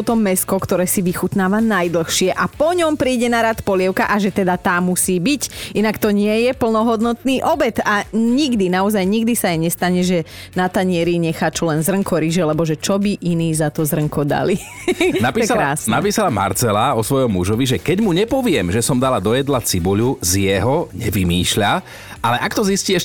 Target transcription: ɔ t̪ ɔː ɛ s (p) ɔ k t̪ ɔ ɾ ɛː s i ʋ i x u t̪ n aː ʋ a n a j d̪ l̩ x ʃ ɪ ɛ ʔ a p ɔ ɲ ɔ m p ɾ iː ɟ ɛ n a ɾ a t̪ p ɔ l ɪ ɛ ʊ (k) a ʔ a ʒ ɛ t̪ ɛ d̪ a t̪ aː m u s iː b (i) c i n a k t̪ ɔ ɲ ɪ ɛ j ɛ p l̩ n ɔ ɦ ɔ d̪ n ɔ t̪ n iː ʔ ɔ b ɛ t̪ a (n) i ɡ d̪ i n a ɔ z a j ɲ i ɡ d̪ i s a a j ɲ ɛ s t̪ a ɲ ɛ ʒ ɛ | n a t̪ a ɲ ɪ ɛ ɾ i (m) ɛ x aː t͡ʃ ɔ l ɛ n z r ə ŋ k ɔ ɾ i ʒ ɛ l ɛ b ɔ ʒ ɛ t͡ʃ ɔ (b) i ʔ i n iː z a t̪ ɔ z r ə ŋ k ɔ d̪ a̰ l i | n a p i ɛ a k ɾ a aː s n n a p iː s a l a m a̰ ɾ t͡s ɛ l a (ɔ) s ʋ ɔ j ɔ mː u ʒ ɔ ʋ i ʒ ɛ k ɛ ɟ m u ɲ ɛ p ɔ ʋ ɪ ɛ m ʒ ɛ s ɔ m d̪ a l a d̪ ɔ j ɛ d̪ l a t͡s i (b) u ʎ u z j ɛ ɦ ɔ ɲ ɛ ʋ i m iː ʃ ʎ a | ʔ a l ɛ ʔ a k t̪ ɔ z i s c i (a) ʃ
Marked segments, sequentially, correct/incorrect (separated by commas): incorrect, correct, correct, incorrect, incorrect, correct, correct, correct, incorrect